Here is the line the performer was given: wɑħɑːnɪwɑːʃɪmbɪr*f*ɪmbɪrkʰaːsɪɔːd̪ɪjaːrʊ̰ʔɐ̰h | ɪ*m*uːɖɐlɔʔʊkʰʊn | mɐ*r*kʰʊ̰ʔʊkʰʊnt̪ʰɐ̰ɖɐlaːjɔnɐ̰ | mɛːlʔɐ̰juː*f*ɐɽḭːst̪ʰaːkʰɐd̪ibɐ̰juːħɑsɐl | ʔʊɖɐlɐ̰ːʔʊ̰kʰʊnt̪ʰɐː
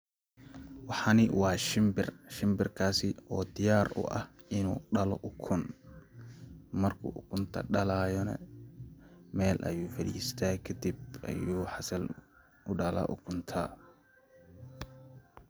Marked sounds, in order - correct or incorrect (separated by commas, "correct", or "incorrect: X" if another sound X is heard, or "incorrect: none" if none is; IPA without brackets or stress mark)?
incorrect: ʃ, incorrect: n, correct, correct